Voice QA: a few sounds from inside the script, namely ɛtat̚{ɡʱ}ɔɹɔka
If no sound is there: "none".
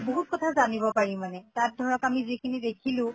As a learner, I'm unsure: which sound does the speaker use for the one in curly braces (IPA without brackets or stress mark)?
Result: dʱ